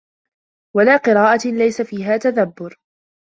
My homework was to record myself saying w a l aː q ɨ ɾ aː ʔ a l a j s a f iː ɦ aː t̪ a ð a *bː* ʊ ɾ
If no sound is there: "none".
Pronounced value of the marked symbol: bː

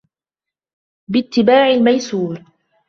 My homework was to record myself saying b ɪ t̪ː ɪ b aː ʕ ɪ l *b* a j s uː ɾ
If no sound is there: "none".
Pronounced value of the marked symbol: m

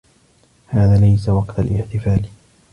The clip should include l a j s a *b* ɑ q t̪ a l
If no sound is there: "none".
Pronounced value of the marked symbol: w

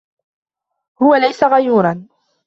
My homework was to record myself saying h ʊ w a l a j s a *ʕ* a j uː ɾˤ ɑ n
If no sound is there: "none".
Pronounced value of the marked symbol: ɣ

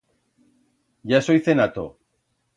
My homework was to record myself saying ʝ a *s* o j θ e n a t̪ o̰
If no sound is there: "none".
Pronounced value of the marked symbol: s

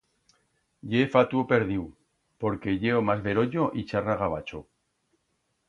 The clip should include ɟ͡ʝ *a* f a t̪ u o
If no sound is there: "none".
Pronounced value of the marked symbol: e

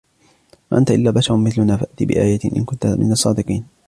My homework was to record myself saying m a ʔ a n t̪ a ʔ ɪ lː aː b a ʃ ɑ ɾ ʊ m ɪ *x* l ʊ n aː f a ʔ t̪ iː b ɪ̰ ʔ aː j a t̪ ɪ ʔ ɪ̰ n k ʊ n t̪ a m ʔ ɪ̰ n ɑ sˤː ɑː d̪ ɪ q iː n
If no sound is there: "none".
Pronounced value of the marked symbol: θ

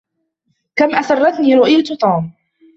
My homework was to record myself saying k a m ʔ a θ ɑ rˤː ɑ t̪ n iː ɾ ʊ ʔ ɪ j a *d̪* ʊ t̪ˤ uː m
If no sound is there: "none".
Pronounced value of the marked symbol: t̪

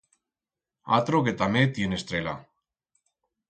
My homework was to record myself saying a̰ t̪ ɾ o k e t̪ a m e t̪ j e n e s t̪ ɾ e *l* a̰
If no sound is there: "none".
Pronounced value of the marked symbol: l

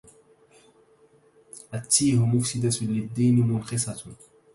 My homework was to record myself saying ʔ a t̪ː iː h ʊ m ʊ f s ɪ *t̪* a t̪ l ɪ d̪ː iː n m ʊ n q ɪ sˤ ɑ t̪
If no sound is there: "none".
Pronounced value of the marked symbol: d̪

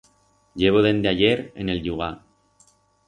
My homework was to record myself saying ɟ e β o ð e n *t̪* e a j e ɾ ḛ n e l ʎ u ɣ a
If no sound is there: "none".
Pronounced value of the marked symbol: d̪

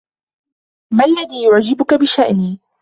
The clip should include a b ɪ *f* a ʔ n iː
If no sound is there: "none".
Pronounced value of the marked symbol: ʃ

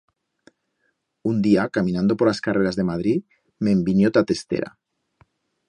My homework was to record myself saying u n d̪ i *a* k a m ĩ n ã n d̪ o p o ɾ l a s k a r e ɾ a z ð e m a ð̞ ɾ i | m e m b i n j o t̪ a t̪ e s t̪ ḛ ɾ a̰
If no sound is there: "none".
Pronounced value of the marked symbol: a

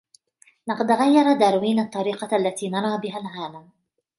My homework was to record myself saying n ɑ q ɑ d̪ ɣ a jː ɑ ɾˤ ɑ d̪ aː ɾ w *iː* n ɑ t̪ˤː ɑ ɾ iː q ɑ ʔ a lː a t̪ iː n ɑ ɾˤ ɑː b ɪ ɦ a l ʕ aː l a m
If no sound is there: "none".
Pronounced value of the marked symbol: iː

